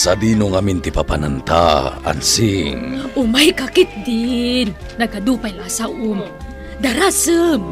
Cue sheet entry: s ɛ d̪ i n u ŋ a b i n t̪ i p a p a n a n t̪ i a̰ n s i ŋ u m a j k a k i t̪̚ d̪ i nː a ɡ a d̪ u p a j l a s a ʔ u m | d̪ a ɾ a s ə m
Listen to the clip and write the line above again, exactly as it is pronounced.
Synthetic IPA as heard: s a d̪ i n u ŋ a m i n t̪ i p a p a n a n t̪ a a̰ n s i ŋ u m a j k a k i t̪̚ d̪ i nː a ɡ a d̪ u p a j l a s a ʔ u m | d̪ a ɾ a s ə m